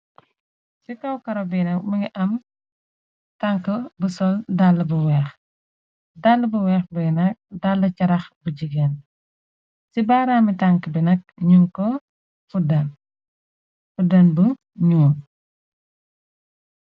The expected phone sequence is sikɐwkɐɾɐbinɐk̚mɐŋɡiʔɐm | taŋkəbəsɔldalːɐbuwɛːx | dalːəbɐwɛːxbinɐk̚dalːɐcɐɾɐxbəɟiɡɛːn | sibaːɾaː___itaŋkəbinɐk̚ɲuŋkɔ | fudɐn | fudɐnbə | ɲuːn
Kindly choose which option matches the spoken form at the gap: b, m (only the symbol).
m